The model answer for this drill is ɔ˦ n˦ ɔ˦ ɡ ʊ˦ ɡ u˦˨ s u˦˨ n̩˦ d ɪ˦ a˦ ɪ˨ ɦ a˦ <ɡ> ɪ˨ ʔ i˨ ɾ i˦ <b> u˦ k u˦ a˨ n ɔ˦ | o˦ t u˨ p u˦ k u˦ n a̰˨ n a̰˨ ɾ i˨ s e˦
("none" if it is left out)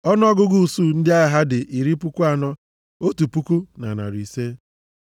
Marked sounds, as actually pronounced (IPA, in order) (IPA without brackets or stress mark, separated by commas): d, p